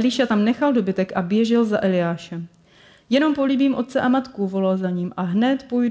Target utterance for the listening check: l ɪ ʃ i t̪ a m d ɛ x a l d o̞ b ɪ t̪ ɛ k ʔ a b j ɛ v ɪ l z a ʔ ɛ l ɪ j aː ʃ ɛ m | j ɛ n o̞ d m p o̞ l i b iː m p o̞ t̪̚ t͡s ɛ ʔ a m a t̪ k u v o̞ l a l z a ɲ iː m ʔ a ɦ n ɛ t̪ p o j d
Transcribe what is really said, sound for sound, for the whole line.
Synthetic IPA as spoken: l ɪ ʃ a t̪ a m n ɛ x a l d o̞ b ɪ t̪ ɛ k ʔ a b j ɛ ʒ ɪ l z a ʔ ɛ l ɪ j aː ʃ ɛ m | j ɛ n o̞ m p o̞ l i b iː m ʔ o̞ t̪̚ t͡s ɛ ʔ a m a t̪ k u v o̞ l a l z a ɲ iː m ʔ a ɦ n ɛ t̪ p o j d